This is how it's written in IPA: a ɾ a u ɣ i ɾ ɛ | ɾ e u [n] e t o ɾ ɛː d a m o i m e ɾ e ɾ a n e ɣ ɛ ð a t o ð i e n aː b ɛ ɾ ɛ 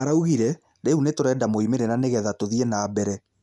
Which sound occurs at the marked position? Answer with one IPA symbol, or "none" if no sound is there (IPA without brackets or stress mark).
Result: n